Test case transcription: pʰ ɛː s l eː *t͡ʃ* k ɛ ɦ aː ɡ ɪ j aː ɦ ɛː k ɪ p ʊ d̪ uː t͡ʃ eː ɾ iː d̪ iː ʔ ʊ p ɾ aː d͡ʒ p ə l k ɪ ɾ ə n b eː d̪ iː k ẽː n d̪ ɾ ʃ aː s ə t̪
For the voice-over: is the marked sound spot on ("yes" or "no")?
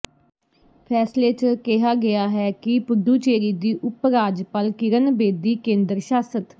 yes